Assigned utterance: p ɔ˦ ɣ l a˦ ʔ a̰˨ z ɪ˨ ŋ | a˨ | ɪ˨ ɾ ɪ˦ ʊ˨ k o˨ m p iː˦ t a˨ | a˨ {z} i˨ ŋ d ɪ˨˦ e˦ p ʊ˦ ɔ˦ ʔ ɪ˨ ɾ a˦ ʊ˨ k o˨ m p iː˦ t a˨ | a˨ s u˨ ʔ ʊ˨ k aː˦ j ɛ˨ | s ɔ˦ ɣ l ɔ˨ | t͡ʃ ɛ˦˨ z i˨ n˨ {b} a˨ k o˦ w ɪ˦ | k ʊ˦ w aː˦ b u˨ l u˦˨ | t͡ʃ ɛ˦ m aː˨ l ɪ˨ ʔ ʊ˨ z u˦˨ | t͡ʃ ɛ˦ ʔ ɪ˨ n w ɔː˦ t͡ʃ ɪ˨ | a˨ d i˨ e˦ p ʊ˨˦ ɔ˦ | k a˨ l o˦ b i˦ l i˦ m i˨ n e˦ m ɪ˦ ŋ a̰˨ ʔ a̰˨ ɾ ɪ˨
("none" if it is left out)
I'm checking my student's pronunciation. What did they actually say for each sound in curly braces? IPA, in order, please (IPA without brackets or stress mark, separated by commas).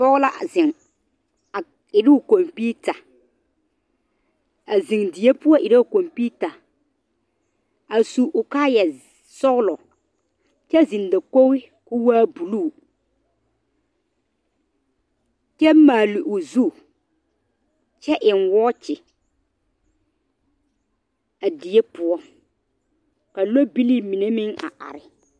z, d